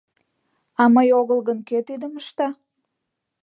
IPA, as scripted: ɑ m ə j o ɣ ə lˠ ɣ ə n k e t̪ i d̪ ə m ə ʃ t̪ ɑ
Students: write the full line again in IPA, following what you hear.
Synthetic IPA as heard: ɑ m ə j o ɣ ə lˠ ɣ ə n k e t̪ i d̪ ə m ə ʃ t̪ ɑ